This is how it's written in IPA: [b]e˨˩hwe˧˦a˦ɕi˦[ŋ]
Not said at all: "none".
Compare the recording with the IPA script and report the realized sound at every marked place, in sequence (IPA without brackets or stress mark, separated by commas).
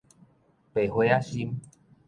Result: p, m